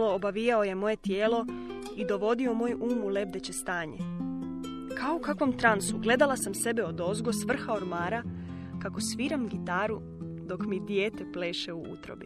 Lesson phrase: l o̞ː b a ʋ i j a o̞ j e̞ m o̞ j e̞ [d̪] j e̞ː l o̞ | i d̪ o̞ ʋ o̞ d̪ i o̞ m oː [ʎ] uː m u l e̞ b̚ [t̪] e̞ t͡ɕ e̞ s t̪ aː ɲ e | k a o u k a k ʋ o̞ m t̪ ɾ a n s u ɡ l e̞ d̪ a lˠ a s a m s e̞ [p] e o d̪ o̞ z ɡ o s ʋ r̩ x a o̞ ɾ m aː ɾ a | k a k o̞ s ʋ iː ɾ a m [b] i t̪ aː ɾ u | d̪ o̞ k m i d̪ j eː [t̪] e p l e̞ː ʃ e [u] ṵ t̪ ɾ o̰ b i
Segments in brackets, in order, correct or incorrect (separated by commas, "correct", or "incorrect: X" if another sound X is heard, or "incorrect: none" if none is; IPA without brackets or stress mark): incorrect: t̪, incorrect: j, incorrect: d̪, incorrect: b, incorrect: ɡ, correct, correct